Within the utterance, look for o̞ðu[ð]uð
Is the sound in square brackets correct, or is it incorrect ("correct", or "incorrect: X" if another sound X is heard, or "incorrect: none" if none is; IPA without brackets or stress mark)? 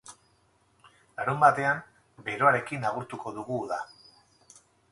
incorrect: ɣ